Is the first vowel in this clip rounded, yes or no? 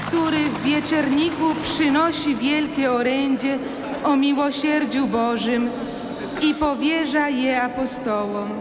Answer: yes